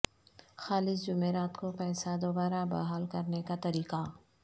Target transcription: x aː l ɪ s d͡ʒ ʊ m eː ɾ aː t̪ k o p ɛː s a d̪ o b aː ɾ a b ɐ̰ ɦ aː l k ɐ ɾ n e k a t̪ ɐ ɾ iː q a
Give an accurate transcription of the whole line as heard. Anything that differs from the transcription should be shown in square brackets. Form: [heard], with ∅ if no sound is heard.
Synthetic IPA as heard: x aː l ɪ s d͡ʒ ʊ m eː ɾ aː t̪ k o p ɛː s a d̪ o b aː ɾ a b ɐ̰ ɦ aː l k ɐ ɾ n e k a t̪ ɐ ɾ iː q a